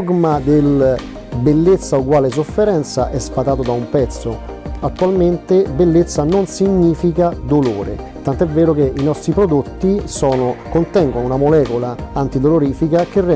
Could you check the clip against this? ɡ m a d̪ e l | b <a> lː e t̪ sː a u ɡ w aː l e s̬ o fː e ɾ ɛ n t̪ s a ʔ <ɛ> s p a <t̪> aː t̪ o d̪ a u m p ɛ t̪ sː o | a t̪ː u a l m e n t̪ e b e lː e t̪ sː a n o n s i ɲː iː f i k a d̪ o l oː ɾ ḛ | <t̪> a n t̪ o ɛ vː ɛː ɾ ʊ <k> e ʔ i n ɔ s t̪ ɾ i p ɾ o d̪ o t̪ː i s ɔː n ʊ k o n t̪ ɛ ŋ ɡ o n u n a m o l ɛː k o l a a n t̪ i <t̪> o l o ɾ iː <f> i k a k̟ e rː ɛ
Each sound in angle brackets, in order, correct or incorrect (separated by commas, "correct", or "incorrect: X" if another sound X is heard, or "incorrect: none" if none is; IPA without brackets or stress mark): incorrect: e, correct, correct, correct, correct, incorrect: d̪, correct